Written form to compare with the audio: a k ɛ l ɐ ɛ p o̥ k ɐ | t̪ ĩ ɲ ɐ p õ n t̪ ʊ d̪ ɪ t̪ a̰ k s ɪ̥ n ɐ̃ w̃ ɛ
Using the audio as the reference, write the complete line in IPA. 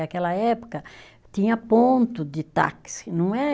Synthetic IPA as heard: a k ɛ l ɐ ɛ p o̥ k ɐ | t̪ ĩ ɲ ɐ p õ n t̪ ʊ d̪ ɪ t̪ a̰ k s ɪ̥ n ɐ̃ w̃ ɛ